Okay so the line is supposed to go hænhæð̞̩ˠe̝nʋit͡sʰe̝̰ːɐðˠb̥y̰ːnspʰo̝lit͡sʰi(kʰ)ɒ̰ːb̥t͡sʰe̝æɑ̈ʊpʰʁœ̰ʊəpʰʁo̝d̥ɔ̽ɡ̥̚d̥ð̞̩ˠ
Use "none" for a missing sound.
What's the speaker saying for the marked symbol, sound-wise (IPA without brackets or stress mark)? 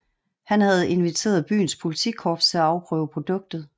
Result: kʰ